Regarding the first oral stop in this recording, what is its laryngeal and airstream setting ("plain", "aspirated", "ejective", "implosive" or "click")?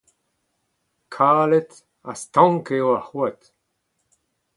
aspirated